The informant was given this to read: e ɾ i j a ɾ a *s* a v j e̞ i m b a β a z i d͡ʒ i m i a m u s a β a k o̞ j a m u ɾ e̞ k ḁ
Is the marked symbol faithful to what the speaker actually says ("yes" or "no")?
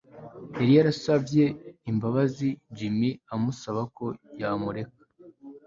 yes